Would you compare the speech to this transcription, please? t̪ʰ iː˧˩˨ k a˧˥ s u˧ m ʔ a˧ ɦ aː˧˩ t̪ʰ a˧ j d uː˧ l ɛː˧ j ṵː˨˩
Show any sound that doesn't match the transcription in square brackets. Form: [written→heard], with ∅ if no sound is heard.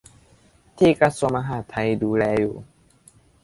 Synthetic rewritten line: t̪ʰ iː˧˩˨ k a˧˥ s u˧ m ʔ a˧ ɦ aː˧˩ t̪ʰ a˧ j d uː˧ l ɛː˧ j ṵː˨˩